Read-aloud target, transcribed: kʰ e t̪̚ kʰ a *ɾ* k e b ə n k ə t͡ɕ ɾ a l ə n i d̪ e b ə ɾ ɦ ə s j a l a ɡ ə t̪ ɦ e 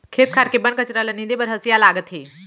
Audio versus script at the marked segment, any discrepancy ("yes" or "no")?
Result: no